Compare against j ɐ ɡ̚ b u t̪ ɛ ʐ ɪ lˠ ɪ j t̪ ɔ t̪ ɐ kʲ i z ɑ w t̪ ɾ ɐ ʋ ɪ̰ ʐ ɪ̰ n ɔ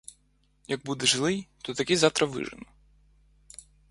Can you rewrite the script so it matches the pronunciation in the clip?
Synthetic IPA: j ɐ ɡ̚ b u d̪ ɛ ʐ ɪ lˠ ɪ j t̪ ɔ t̪ ɐ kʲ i z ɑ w t̪ ɾ ɐ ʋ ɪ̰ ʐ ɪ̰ n ɔ